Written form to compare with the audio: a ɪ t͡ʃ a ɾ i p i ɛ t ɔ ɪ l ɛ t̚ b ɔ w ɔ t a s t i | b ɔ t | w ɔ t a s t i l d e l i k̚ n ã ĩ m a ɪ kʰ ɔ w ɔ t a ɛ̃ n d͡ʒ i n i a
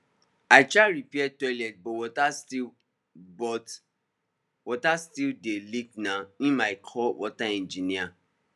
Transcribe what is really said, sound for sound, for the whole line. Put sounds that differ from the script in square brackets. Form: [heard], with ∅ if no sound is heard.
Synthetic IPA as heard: a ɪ t͡ʃ a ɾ i p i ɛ t ɔ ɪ l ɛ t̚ b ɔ w ɔ t a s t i | b ɔ t | w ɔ t a s t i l d e l i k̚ n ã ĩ m a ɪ kʰ ɔ w ɔ t a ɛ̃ n d͡ʒ i n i a